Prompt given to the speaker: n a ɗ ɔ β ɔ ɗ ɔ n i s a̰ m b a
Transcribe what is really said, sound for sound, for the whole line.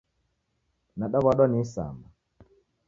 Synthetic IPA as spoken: n a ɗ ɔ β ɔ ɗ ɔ n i s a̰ m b a